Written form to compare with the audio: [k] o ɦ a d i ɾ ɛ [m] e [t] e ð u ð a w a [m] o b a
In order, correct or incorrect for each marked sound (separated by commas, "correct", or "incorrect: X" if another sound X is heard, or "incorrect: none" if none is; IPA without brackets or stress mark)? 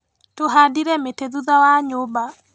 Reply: incorrect: t, correct, correct, incorrect: ɲ